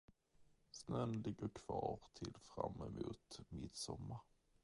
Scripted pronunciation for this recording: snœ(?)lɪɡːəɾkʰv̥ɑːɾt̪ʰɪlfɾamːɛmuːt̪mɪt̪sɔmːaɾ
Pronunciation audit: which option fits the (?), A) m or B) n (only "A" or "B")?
B